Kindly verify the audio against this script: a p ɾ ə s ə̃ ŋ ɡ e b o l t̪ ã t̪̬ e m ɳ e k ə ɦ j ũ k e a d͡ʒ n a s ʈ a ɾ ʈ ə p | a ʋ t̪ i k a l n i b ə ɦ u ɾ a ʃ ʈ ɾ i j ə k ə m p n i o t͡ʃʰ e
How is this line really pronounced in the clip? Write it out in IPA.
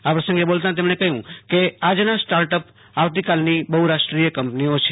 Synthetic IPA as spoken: a p ɾ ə s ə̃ ŋ ɡ e b o l t̪ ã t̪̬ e m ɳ e k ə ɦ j ũ k e a d͡ʒ n a s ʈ a ɾ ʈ ə p | a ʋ t̪ i k a l n i b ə ɦ u ɾ a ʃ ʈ ɾ i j ə k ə m p n i o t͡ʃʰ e